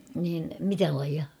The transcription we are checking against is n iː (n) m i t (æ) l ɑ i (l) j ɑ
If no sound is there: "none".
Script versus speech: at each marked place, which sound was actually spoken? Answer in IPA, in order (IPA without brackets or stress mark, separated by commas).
n, æ, none